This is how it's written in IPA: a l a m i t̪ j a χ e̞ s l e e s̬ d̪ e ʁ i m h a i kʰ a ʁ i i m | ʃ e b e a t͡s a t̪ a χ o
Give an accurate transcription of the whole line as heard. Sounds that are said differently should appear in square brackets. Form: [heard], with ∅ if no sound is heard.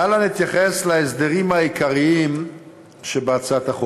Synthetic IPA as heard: a l a [n] i t̪ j a χ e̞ s l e e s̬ d̪ e ʁ i m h a i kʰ a ʁ i i m | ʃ e b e a t͡s a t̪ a χ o